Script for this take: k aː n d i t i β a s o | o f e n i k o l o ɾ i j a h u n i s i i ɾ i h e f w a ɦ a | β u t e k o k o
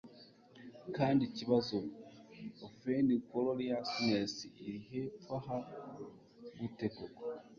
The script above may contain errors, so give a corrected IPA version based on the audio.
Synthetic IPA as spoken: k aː n d i c i β a z o | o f e n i k o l o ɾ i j a s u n e s i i ɾ i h e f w a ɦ a | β u t e k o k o